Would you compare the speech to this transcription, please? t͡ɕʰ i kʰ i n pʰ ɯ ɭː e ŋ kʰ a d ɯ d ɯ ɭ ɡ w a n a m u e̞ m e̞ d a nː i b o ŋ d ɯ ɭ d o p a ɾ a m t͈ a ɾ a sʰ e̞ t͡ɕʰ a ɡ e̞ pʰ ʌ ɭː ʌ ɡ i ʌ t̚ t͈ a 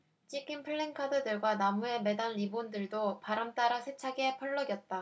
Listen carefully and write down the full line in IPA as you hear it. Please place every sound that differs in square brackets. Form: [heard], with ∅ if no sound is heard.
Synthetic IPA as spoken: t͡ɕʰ i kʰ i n pʰ ɯ ɭː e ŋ kʰ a d ɯ d ɯ ɭ ɡ w a n a m u e̞ m e̞ d a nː i b o [n] d ɯ ɭ d o p a ɾ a m t͈ a ɾ a sʰ e̞ t͡ɕʰ a ɡ e̞ pʰ ʌ ɭː ʌ ɡ [j] ʌ t̚ t͈ a